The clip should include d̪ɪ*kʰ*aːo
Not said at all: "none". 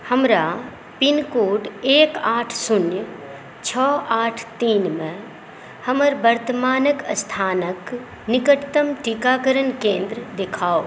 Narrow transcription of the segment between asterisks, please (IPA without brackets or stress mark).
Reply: kʰ